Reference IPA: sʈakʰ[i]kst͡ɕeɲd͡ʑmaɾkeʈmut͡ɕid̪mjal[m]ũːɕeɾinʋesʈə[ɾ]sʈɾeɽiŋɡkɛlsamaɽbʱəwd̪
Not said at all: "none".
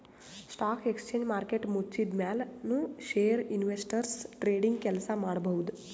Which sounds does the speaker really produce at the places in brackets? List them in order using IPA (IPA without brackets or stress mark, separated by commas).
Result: e, n, ɾ